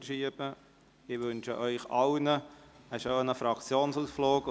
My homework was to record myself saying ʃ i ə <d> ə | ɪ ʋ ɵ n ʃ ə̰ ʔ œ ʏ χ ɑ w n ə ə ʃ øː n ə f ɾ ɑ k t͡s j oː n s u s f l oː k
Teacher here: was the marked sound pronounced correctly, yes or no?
no